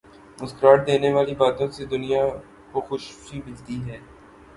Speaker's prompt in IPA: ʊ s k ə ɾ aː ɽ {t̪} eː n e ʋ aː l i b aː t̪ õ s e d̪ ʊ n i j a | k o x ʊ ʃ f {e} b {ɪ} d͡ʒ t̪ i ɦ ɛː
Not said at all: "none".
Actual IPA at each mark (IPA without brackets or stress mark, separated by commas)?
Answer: d̪, i, ɪ